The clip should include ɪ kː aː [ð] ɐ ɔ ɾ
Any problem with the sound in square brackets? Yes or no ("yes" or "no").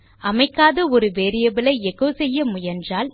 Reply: no